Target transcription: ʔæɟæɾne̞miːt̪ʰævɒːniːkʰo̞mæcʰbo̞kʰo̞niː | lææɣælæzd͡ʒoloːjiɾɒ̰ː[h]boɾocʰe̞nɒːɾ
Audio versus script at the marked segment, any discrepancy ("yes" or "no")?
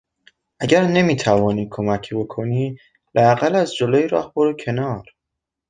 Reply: no